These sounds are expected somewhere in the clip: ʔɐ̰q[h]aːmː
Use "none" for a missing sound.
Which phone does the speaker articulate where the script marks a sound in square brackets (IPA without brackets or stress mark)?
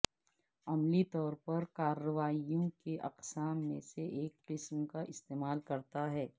s